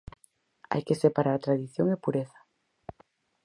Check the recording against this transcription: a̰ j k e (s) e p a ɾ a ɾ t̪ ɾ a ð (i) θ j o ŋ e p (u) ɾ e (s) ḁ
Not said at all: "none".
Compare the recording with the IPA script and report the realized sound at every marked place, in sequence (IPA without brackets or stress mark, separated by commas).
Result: s, i, u, θ